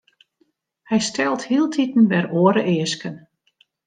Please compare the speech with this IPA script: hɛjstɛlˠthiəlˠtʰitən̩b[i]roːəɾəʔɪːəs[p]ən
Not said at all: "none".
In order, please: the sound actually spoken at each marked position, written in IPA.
ɛ, k

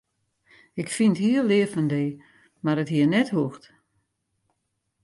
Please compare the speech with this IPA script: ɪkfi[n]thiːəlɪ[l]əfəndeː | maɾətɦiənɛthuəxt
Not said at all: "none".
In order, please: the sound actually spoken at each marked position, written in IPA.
n, none

